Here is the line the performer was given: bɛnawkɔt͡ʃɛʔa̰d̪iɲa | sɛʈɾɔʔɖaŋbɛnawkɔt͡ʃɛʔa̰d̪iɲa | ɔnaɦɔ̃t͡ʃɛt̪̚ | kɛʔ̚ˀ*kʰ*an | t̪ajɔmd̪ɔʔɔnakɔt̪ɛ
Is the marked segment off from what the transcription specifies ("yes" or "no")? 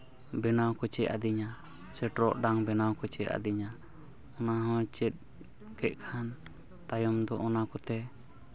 no